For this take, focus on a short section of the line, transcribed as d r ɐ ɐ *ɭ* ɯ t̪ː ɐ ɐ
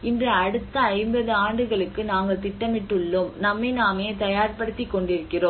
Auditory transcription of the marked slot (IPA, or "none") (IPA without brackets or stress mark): ɽ